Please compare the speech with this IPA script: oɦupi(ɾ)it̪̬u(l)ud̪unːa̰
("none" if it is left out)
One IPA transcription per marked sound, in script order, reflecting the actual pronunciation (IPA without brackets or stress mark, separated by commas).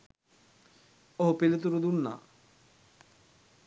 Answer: l, ɾ